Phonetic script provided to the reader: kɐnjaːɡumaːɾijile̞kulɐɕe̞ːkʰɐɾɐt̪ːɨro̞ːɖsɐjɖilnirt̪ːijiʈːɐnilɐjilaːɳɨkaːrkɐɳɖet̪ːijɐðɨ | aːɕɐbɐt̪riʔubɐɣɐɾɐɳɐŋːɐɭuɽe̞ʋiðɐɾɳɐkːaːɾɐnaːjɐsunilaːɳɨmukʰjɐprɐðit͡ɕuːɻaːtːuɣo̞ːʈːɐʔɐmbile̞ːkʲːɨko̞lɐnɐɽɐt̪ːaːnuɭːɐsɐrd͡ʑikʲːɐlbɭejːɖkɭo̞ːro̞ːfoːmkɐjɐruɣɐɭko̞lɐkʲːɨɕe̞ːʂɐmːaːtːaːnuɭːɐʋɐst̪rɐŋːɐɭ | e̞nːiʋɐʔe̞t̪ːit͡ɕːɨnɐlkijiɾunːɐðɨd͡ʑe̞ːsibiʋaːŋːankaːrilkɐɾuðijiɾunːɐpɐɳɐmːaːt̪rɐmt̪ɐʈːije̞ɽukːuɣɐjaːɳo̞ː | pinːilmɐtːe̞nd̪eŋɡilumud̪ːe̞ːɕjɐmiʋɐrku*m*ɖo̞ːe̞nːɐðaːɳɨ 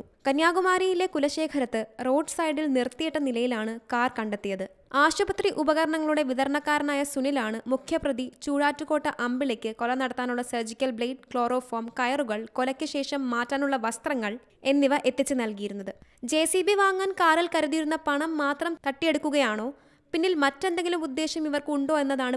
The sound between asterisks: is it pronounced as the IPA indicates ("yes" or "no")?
no